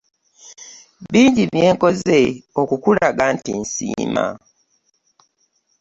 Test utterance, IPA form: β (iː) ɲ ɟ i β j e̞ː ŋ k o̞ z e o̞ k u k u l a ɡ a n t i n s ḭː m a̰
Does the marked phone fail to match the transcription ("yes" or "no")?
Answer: no